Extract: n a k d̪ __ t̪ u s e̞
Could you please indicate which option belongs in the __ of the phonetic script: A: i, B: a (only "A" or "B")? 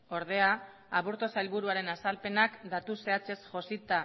B